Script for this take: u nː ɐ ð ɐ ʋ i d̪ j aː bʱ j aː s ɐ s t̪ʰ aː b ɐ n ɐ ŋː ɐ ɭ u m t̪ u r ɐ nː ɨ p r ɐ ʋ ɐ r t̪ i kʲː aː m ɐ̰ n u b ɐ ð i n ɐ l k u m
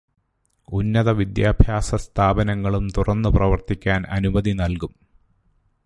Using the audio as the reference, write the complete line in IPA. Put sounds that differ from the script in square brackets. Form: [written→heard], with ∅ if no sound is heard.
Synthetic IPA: u nː ɐ ð ɐ ʋ i d̪ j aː bʱ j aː s ɐ s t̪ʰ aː b ɐ n ɐ ŋː ɐ ɭ u m t̪ u r ɐ nː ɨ p r ɐ ʋ ɐ r t̪ i kʲː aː [m→n] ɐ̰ n u b ɐ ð i n ɐ l k u m